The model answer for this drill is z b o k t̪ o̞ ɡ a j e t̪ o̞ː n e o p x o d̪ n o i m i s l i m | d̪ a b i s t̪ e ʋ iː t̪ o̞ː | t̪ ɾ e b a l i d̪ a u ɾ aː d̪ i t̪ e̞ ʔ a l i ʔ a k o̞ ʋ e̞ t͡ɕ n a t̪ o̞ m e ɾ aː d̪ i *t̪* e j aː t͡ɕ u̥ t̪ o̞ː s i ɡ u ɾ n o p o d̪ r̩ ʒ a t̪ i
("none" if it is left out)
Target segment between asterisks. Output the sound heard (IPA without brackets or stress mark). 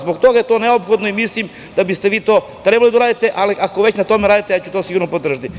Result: t̪